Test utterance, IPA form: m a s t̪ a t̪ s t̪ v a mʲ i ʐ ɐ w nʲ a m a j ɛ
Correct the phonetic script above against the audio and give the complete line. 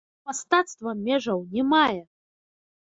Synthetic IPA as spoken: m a s t̪ a t̪ s t̪ v ɐ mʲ ɛ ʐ ɐ w nʲ ɛ m a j ɛ

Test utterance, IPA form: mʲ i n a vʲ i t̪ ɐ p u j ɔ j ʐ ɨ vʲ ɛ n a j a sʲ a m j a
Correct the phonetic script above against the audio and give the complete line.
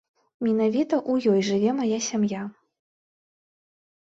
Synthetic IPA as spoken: mʲ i n a vʲ i t̪ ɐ ʔ u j ɔ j ʐ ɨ vʲ ɛ m a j a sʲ a m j a

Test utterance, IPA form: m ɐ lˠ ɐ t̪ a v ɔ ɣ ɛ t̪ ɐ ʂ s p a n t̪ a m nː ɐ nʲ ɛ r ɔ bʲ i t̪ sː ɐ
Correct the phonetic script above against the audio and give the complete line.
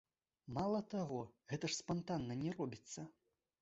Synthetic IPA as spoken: m a lˠ ɐ t̪ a ɣ ɔ ɣ ɛ t̪ ɐ ʂ s p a n t̪ a nː ɐ nʲ ɛ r ɔ bʲ i t̪ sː ɐ

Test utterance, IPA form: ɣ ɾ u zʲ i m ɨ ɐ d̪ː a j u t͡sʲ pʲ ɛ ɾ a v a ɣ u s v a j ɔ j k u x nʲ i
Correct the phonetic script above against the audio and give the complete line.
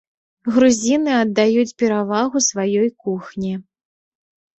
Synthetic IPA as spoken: ɣ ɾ u zʲ i n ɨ ɐ d̪ː a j u t͡sʲ pʲ ɛ ɾ a v a ɣ u s v a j ɔ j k u x nʲ i

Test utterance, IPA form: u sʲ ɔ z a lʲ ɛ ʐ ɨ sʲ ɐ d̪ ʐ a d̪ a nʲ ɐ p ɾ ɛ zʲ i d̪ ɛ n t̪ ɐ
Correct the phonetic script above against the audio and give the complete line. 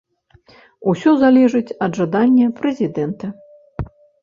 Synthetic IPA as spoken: u sʲ ɔ z a lʲ ɛ ʐ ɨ t͡sʲ ɐ d̪ ʐ a d̪ a nʲː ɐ p ɾ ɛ zʲ i d̪ ɛ n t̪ ɐ

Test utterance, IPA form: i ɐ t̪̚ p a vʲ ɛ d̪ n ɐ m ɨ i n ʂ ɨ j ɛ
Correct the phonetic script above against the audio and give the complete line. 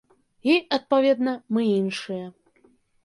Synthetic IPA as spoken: i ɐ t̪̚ p a vʲ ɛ d̪ n ɐ m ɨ i n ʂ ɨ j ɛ

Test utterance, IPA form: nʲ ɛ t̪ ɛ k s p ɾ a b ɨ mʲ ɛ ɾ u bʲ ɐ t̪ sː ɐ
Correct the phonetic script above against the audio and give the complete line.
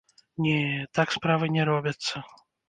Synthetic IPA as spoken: nʲ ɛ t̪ a k s p ɾ a v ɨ nʲ ɛ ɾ ɔ bʲ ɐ t̪ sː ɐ

